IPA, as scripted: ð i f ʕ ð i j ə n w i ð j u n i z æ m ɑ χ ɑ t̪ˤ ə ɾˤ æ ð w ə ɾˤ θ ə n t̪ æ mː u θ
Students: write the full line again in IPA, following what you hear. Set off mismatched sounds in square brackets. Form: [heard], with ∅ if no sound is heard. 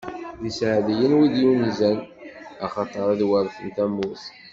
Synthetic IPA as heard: ð i [s] ʕ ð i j ə n w i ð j u n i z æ [n] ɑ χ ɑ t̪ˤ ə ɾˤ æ ð w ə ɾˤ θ ə n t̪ æ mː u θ

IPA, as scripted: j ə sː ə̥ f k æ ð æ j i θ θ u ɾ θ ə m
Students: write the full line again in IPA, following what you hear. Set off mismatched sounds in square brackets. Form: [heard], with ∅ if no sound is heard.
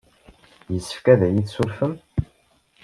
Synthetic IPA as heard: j ə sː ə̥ f k æ ð æ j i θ [s] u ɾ [f] ə m

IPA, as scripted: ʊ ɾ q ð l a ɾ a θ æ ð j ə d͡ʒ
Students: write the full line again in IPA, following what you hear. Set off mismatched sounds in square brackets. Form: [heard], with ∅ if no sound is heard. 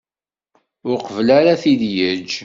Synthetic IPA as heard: ʊ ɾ q [v] l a ɾ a θ [i] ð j ə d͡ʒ

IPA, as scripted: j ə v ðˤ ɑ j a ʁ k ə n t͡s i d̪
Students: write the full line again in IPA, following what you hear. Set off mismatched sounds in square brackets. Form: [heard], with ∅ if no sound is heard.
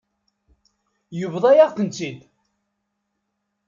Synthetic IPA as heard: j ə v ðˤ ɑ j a ʁ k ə n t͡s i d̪

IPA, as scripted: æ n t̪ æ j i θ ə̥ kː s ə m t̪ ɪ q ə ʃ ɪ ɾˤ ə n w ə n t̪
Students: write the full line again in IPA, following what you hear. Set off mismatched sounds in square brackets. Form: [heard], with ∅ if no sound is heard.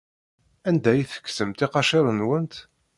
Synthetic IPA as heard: æ n [d̪] æ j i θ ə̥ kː s ə m t̪ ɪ q [ɑ] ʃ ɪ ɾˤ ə n w ə n t̪

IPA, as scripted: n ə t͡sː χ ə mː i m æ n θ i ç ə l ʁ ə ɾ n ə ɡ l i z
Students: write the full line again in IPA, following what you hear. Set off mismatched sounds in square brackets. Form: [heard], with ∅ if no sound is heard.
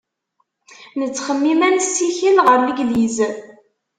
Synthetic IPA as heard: n ə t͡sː χ ə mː i m æ n [s] i ç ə l ʁ ə ɾ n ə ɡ l i z

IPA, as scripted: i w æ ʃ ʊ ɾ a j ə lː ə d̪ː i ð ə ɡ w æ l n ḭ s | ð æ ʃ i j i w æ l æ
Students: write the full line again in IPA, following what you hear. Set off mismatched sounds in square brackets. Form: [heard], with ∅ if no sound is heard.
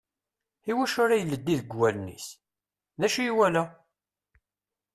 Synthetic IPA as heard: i w æ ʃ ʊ ɾ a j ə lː ə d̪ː i ð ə ɡ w æ l n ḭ s | ð æ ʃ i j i w æ l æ

